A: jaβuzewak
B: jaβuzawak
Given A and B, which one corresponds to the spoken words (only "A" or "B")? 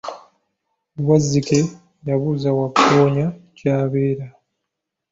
B